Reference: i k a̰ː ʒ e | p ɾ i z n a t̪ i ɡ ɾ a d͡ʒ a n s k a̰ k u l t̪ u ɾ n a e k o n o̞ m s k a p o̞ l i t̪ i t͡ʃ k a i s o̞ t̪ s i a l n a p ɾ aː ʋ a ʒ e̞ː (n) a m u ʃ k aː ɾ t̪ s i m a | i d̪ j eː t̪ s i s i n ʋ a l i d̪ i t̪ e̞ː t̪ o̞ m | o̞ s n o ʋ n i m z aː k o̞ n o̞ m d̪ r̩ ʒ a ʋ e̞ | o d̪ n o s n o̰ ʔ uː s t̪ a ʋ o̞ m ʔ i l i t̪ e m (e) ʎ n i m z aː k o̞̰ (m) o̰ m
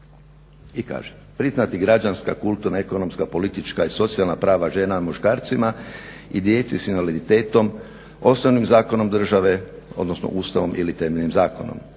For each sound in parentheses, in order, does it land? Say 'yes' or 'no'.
yes, yes, no

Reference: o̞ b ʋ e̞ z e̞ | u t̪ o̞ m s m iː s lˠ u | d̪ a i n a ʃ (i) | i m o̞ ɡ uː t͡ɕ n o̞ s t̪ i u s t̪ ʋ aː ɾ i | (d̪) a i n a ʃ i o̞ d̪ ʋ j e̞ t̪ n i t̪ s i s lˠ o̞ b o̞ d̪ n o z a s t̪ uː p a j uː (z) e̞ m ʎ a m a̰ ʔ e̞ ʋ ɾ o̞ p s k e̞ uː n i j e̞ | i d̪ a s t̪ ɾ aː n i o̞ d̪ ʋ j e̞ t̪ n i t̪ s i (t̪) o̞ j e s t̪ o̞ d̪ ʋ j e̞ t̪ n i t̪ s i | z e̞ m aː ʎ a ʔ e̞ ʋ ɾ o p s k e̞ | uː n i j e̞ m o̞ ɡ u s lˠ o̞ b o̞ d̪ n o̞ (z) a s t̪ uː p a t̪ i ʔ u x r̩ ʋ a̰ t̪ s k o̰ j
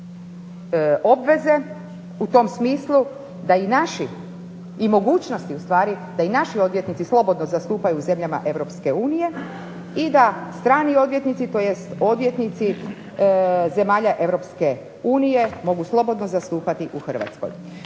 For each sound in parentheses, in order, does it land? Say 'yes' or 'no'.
yes, yes, yes, yes, yes

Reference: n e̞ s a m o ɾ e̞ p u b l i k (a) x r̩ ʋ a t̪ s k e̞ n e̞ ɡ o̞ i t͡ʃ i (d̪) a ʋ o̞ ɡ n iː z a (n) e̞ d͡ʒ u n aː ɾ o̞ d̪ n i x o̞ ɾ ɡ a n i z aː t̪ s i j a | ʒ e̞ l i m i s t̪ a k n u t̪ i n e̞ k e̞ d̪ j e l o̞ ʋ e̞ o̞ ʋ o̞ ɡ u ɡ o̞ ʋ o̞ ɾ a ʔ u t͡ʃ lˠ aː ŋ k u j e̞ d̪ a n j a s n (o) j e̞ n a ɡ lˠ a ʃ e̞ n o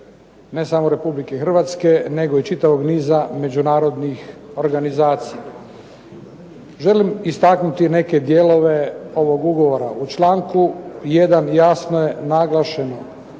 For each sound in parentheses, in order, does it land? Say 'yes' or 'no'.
no, no, no, yes

